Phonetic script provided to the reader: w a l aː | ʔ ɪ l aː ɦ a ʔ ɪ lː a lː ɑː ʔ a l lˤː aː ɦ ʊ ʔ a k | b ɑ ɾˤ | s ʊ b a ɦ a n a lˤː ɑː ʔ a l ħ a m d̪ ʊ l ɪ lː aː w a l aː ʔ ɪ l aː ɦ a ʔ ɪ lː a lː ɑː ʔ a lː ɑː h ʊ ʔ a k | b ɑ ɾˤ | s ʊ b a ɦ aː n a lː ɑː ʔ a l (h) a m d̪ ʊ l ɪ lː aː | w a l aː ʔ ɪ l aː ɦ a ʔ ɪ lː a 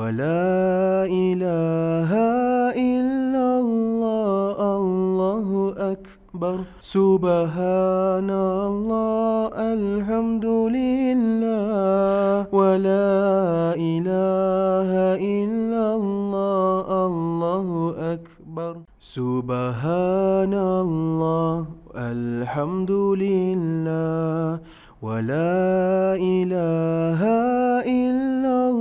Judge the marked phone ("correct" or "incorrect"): incorrect